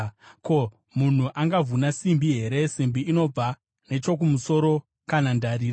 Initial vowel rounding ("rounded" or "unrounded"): rounded